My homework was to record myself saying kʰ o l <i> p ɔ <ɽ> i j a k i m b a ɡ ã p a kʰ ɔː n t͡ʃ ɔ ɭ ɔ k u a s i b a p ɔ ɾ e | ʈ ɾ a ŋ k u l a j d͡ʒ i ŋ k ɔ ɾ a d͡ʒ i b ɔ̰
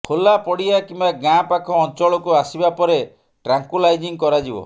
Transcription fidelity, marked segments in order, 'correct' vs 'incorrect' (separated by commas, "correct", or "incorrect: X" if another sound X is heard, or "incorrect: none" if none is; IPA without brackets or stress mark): incorrect: a, correct